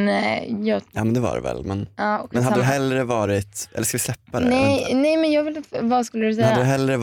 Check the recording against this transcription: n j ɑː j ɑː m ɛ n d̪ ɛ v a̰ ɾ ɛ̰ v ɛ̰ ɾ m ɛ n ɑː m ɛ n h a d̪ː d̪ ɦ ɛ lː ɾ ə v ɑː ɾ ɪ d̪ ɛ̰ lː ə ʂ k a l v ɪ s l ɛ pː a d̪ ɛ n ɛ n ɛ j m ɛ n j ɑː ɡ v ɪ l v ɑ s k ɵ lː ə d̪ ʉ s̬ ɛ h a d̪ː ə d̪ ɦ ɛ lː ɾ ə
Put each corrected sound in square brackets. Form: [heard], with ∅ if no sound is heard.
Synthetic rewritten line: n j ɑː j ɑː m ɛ n d̪ ɛ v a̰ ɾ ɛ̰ v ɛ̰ [l] m ɛ n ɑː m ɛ n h a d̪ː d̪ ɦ ɛ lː ɾ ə v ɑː ɾ ɪ [t̪] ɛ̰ lː ə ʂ k a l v ɪ s l ɛ pː a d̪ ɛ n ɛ n ɛ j m ɛ n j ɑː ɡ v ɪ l v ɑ s k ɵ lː ə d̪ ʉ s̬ ɛ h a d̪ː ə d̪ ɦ ɛ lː ɾ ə